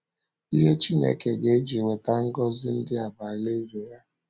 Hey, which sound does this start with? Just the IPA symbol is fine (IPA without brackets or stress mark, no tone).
i